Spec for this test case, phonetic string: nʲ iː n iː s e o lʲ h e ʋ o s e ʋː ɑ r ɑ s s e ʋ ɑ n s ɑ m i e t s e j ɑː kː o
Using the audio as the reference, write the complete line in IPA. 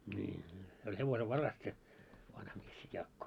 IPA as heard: nʲ iː n iː s e o lʲ h e ʋ o s e ʋː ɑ r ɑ s s e ʋ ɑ n h ɑ m i e s s e j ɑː kː o